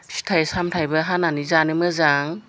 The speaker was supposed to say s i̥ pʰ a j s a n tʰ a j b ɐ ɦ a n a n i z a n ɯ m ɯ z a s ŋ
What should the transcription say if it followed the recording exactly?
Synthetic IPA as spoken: s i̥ tʰ a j s a m tʰ a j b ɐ ɦ a n a n i z a n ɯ m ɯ z a ŋ